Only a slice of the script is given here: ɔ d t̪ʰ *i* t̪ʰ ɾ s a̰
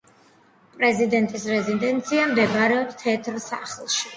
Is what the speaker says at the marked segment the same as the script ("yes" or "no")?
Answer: no